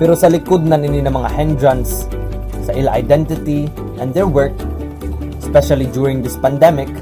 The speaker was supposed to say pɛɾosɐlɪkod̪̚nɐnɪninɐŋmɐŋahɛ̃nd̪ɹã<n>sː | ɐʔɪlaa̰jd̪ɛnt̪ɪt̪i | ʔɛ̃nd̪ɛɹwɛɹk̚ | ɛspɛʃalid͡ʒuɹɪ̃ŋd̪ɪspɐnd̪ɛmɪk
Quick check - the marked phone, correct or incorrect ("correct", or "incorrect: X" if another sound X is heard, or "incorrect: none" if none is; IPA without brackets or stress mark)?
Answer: correct